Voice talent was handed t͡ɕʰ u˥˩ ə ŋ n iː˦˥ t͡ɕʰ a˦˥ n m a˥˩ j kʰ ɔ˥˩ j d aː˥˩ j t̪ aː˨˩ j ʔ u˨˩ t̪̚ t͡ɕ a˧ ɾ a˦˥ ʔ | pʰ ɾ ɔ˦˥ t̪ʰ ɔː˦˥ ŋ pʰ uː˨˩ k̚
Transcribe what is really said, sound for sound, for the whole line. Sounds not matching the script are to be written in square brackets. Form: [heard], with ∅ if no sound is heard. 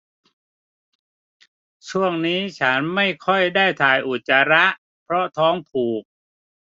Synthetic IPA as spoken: t͡ɕʰ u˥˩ ə ŋ n iː˦˥ t͡ɕʰ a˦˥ n m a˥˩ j kʰ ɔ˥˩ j d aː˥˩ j [t̪ʰ] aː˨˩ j ʔ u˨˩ t̪̚ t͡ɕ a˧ ɾ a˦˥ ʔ | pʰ ɾ ɔ˦˥ t̪ʰ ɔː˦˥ ŋ pʰ uː˨˩ k̚